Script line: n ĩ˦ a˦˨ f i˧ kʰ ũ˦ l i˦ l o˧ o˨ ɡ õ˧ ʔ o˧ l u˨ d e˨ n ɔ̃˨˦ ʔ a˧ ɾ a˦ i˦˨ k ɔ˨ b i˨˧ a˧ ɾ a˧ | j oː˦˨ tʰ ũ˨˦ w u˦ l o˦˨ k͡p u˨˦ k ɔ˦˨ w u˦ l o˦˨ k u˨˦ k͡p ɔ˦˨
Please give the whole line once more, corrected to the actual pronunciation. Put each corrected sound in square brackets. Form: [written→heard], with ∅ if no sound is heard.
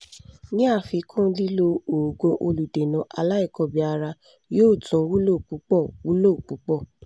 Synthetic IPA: n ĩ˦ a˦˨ f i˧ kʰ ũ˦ l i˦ l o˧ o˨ ɡ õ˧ ʔ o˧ l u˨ d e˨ n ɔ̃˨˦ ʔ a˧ [ɾ→l] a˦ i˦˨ k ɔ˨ b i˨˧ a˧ ɾ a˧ | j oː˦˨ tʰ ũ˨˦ w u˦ l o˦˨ k͡p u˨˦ [k→k͡p] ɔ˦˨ w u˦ l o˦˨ [k→k͡p] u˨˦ k͡p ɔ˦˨